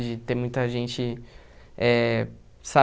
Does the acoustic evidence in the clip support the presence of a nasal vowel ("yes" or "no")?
yes